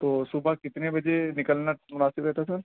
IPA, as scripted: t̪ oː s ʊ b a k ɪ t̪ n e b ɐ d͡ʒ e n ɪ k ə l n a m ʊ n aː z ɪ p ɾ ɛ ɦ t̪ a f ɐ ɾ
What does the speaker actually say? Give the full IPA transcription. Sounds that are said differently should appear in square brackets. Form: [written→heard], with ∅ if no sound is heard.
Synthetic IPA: t̪ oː s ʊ b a k ɪ t̪ n e b ɐ d͡ʒ e n ɪ k ə l n a m ʊ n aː [z→s] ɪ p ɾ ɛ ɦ t̪ a [f→s] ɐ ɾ